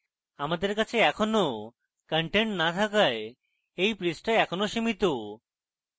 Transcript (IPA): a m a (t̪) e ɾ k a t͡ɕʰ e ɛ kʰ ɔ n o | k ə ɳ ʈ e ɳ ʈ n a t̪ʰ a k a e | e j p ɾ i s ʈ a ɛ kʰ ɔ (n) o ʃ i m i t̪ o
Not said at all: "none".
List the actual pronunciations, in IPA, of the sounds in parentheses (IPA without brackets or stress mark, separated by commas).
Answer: d̪, n